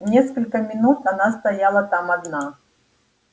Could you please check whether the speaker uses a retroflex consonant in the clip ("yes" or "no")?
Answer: no